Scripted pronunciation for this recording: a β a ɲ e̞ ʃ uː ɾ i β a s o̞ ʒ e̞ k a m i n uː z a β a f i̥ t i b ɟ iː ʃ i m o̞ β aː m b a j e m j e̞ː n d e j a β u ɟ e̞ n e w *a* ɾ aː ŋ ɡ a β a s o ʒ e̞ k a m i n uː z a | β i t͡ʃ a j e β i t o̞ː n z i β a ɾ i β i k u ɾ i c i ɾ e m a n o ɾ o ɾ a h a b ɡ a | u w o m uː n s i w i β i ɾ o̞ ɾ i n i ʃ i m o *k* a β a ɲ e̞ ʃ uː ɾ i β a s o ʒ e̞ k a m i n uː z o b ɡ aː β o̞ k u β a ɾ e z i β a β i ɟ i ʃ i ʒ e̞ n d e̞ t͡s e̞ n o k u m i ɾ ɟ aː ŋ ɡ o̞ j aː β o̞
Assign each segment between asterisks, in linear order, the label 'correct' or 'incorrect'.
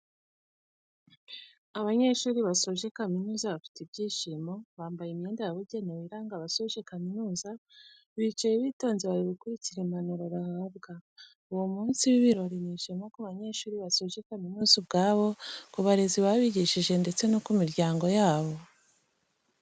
incorrect, correct

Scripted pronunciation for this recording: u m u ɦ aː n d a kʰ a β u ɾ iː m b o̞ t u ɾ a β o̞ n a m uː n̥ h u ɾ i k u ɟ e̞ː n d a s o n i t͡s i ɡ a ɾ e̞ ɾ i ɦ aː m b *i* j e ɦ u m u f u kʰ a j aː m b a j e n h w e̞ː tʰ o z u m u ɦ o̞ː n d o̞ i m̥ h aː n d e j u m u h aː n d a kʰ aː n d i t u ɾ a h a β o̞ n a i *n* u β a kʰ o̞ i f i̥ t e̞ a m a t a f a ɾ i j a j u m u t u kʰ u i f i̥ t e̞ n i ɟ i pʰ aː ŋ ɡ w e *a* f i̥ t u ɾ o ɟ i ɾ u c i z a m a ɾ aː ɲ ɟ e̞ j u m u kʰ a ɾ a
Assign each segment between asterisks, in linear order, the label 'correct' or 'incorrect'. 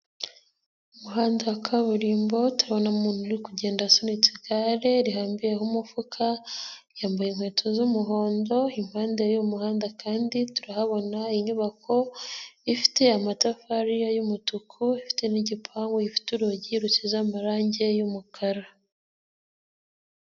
correct, incorrect, incorrect

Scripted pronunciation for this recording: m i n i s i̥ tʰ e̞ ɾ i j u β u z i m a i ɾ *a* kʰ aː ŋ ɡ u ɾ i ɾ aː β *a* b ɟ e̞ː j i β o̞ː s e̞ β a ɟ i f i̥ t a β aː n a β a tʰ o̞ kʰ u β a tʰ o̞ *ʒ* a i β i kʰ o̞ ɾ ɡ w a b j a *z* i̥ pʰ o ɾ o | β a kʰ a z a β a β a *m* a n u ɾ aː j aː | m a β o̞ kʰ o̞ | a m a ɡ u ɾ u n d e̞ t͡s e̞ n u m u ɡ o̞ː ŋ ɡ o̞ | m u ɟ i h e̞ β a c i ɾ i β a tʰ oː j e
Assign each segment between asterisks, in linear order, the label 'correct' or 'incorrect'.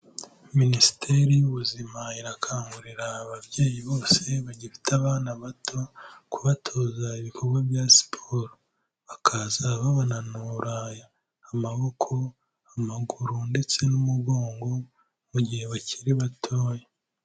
correct, correct, incorrect, incorrect, incorrect

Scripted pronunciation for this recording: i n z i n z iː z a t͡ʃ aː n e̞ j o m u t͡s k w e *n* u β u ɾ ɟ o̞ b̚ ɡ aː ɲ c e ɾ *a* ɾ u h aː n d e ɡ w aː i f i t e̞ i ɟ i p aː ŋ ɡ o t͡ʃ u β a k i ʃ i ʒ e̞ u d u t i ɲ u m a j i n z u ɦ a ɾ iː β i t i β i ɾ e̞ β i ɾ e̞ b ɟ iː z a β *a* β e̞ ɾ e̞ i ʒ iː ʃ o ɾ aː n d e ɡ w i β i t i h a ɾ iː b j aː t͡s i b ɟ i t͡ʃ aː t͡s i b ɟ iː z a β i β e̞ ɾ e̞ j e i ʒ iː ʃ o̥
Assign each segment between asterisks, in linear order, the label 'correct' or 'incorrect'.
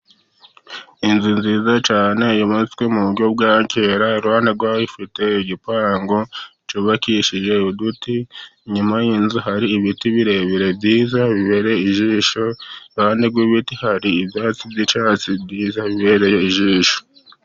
incorrect, correct, incorrect

